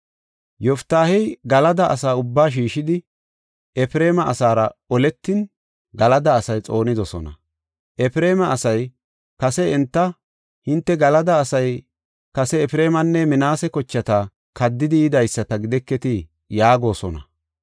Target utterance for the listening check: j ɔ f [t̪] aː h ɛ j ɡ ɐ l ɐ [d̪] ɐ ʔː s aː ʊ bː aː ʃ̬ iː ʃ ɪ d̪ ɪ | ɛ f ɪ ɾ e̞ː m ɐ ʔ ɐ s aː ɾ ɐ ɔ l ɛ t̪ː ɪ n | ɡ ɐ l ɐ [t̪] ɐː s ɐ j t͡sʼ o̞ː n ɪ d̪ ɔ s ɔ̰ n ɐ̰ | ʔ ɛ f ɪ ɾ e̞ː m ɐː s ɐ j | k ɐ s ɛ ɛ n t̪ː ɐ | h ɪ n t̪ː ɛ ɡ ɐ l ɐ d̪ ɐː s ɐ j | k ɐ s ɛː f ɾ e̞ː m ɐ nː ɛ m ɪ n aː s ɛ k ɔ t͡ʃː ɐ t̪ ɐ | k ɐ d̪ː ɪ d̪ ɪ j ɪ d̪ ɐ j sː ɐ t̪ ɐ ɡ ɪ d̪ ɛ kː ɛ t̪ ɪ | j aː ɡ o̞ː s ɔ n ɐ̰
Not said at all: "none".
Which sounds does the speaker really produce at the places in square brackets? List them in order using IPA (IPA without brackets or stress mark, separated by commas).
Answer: t̪, d̪, d̪